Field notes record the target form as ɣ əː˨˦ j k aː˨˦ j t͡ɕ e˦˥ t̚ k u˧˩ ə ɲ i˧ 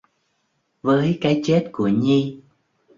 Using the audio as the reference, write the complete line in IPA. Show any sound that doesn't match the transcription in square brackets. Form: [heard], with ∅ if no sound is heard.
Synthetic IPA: [v] əː˨˦ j k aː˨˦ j t͡ɕ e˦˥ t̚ k u˧˩ ə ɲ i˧